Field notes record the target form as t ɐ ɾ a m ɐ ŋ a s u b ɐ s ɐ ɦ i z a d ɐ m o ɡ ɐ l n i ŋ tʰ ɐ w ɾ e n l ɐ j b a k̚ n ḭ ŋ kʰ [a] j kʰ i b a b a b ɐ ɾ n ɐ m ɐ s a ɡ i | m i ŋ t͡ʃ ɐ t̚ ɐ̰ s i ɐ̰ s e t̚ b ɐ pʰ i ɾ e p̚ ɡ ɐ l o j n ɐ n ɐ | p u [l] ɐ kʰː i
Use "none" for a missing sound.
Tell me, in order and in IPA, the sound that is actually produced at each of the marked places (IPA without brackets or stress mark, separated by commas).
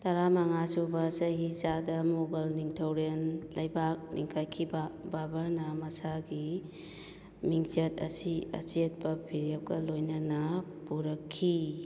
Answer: a, ɾ